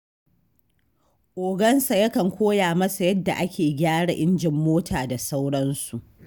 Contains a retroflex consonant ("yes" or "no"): yes